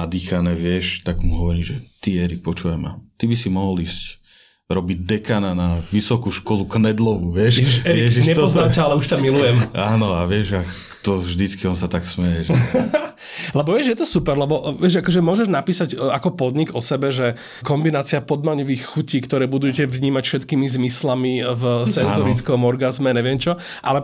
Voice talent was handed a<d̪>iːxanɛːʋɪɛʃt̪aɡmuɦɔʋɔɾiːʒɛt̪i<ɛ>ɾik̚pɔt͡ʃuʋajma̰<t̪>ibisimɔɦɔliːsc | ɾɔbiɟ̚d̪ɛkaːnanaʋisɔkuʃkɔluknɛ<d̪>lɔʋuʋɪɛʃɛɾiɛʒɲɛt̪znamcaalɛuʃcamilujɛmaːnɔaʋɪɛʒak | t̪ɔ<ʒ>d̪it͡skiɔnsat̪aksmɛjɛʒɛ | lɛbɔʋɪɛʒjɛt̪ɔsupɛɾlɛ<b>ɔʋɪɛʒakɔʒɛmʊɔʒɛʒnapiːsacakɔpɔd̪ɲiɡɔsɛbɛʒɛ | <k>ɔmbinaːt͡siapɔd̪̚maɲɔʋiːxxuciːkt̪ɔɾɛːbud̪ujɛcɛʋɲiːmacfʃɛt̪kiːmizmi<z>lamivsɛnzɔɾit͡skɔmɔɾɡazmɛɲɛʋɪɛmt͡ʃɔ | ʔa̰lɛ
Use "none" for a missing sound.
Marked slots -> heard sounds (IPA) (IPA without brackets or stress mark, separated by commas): d̪, ɛ, t̪, d̪, ʒ, b, k, s